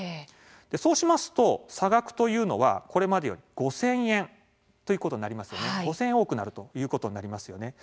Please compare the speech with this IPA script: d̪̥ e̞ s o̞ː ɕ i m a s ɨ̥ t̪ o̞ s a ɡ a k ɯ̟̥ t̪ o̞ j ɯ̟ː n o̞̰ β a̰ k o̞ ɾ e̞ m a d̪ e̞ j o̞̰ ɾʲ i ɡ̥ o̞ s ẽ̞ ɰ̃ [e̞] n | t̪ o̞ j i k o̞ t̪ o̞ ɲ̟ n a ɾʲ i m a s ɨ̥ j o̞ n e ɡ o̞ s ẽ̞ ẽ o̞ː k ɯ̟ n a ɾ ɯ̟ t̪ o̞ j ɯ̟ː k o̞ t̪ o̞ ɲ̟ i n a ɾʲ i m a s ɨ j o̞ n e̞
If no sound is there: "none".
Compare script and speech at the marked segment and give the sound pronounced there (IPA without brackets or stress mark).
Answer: ẽ̞